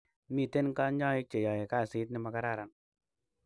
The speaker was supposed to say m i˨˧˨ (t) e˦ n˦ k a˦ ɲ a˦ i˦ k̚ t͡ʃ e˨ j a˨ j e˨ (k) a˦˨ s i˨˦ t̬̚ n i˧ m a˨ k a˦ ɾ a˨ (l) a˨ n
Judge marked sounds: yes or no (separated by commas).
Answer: yes, yes, no